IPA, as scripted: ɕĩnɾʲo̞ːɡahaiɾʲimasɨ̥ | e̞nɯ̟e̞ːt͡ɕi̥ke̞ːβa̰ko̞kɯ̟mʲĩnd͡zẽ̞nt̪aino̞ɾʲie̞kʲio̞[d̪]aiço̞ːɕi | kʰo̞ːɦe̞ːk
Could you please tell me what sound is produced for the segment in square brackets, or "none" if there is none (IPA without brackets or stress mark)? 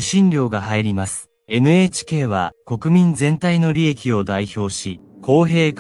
d̪